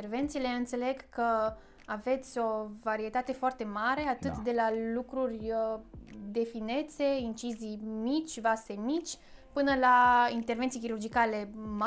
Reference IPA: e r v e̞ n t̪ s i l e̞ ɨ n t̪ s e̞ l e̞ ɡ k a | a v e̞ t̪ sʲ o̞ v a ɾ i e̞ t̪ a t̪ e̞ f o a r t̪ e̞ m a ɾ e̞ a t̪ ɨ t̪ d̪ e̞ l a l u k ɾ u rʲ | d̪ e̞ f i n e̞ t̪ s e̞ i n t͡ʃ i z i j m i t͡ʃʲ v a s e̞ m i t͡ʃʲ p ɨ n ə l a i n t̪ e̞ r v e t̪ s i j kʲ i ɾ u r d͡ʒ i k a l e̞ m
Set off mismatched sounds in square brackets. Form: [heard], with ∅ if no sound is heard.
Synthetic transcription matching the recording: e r v e̞ n t̪ s i l e̞ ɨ n t̪ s e̞ l e̞ ɡ k [ə] | a v e̞ t̪ sʲ o̞ v a ɾ i e̞ t̪ a t̪ e̞ f o a r t̪ e̞ m a ɾ e̞ a t̪ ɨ t̪ d̪ e̞ l a l u k ɾ u rʲ | d̪ e̞ f i n e̞ t̪ s e̞ i n t͡ʃ i z i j m i t͡ʃʲ v a s e̞ m i t͡ʃʲ p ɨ n ə l a i n t̪ e̞ r v e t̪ s i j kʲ i ɾ u r d͡ʒ i k a l e̞ m